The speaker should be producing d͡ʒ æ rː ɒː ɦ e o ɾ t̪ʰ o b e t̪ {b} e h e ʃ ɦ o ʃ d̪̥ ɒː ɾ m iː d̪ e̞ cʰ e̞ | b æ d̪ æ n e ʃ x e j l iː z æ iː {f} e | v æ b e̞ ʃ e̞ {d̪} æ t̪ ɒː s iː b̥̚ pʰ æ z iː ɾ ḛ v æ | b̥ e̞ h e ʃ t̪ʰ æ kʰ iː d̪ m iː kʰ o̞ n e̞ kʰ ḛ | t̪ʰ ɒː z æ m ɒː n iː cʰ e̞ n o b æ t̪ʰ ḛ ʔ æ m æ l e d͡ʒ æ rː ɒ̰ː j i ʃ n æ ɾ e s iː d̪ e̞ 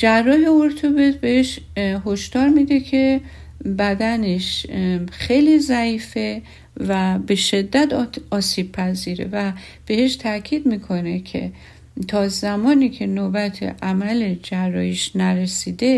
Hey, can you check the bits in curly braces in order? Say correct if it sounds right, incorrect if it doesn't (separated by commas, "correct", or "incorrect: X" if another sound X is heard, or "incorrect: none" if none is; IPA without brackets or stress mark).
correct, correct, incorrect: d̪ː